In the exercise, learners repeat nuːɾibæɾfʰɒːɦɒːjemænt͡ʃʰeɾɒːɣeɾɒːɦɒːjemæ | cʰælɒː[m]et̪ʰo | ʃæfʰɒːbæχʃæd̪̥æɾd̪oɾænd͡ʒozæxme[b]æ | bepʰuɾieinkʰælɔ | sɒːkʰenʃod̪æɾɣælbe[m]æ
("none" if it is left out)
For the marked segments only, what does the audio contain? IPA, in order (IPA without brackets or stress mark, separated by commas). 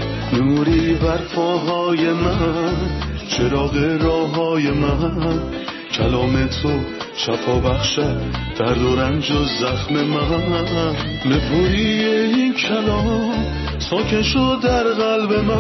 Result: m, m, m